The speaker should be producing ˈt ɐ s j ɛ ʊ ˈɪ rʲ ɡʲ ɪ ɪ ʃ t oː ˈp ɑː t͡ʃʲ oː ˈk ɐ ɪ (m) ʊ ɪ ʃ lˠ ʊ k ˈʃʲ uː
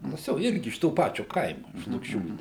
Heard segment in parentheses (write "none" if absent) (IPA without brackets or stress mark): m